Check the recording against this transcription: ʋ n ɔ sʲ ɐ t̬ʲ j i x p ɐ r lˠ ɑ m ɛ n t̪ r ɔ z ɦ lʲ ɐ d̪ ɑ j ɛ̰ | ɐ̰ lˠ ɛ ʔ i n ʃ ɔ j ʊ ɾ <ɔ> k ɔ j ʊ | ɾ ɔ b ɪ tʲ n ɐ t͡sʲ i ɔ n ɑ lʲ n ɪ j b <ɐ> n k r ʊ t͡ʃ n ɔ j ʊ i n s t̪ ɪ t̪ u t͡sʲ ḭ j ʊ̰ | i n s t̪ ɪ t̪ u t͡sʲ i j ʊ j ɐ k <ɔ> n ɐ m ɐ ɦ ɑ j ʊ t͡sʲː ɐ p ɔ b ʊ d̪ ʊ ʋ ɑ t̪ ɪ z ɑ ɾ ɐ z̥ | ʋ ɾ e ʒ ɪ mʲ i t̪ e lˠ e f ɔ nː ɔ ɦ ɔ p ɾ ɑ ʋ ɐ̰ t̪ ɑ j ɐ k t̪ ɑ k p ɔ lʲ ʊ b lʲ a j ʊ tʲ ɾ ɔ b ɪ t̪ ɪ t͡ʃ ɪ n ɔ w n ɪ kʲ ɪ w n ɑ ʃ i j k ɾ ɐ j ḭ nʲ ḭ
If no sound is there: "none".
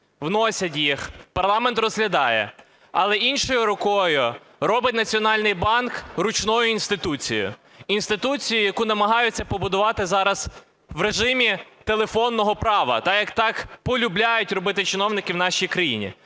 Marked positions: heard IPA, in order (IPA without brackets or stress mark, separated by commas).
ɔ, ɑ, u